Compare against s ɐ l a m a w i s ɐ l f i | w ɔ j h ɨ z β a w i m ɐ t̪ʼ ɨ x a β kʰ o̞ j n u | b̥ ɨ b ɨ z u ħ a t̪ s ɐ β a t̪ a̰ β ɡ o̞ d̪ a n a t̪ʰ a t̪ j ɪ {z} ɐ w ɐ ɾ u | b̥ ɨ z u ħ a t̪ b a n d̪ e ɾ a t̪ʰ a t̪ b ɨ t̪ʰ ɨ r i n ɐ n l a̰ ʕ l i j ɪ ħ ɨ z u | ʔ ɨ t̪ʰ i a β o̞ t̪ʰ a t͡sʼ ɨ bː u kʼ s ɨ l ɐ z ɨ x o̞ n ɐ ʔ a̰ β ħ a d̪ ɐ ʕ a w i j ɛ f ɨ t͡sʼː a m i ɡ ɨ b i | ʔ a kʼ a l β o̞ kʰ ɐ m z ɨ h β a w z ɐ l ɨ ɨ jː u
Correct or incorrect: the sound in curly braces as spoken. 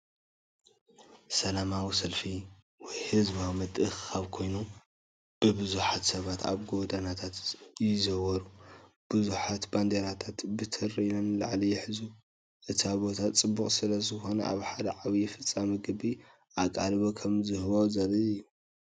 correct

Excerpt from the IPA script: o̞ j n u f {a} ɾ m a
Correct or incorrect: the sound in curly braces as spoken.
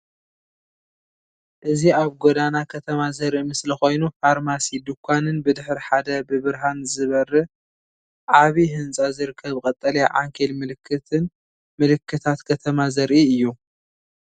correct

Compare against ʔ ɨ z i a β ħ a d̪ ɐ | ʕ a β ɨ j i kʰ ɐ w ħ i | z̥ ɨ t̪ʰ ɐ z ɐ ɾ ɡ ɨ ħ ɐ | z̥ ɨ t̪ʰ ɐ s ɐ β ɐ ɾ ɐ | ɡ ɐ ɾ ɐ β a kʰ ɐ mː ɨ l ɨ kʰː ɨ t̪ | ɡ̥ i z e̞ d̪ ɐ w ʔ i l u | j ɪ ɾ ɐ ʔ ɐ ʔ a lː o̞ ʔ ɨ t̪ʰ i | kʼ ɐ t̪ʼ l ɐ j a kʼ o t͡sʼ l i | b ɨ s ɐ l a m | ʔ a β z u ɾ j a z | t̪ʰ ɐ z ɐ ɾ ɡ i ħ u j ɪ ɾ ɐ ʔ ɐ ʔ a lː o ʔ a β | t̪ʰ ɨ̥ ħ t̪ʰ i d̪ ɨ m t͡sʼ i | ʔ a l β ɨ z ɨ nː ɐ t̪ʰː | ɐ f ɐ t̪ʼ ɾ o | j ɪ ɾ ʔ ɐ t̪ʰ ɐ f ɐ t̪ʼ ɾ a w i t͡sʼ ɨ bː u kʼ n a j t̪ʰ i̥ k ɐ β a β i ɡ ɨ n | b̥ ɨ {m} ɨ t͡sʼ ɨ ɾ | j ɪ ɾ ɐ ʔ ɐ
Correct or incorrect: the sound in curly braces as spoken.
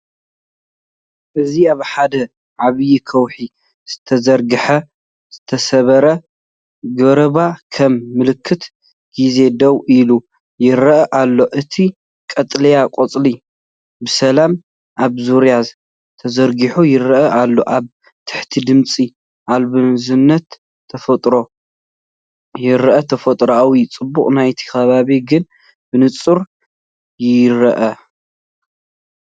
incorrect: n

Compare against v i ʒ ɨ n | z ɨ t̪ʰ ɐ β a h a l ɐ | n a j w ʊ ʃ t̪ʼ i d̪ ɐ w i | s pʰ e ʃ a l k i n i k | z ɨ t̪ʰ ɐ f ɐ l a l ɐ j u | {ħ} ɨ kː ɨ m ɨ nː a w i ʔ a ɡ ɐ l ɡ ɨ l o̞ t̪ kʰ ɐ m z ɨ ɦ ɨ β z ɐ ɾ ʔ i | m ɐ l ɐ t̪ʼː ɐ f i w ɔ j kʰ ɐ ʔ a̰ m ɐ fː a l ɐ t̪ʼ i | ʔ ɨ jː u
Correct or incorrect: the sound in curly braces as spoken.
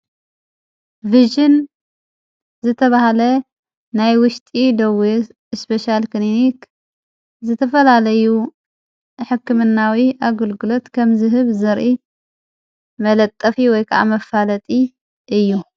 correct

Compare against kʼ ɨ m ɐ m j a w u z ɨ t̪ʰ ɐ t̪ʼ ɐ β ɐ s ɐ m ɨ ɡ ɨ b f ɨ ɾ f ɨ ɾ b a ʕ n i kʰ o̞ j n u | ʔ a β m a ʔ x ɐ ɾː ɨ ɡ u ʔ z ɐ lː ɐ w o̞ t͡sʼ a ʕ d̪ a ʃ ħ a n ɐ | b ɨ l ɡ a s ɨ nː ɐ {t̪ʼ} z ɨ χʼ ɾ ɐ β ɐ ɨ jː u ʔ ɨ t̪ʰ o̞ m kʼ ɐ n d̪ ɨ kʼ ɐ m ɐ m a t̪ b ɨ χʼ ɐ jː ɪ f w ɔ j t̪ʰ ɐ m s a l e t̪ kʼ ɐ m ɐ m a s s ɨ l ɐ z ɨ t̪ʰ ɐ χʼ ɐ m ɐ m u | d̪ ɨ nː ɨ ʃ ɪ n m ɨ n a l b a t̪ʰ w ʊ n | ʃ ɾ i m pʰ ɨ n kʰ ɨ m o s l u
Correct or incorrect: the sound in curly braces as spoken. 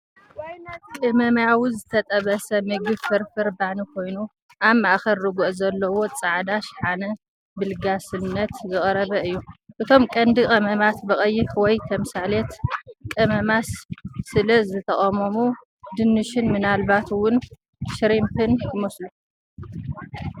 incorrect: t̪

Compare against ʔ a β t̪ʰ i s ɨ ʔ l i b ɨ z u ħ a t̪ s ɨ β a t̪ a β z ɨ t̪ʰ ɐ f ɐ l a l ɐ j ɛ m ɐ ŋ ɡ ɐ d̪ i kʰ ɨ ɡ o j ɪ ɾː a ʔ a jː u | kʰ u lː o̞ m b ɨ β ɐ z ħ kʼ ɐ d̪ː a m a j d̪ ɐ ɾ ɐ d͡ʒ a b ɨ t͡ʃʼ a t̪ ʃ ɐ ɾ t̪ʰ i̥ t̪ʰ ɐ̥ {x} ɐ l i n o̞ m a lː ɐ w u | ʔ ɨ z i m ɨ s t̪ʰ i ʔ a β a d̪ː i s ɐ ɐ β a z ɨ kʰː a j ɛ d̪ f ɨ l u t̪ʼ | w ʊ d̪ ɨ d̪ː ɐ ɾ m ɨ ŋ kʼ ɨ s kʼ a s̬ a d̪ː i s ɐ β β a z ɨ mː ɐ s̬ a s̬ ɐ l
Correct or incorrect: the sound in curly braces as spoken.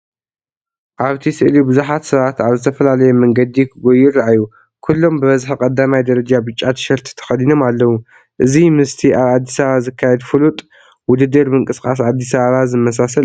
correct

